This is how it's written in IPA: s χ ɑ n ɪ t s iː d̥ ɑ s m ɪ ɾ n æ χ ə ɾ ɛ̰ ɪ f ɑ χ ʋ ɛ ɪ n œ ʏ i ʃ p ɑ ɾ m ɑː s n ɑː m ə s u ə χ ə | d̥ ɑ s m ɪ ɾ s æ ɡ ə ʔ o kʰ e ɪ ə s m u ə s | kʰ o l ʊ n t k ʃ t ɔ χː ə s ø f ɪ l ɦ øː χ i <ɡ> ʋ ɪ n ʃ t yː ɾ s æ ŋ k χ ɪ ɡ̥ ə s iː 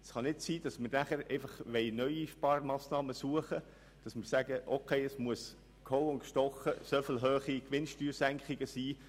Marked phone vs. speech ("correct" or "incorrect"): incorrect